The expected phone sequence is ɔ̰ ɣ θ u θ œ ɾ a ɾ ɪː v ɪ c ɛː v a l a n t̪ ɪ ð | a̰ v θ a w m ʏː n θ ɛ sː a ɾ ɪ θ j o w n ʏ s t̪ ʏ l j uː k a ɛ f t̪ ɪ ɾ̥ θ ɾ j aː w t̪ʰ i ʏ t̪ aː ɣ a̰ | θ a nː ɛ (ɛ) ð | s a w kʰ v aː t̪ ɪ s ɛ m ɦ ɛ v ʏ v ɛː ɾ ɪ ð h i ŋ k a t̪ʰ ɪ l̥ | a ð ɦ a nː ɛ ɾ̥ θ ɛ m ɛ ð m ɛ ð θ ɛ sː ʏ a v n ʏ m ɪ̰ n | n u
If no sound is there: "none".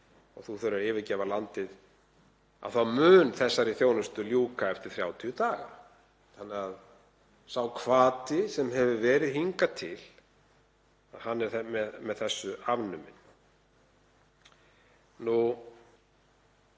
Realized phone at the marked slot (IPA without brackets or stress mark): a